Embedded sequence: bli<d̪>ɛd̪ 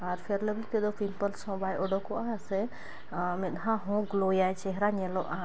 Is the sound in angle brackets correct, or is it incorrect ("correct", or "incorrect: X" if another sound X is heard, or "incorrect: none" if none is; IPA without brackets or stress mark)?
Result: incorrect: t̪